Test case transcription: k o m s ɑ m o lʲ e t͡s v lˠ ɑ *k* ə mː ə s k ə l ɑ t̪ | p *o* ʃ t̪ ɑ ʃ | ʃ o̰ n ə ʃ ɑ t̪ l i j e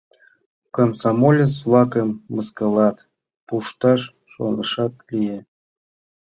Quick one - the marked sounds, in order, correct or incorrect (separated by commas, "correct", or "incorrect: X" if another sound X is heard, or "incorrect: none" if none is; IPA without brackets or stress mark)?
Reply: correct, incorrect: u